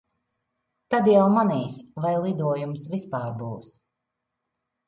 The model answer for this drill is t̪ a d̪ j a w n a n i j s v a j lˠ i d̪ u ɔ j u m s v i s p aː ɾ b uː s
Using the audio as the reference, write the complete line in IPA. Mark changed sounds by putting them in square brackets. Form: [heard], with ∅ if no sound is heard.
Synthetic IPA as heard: t̪ a d̪ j a w [m] a n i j s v a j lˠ i d̪ u ɔ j u m s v i s p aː ɾ b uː s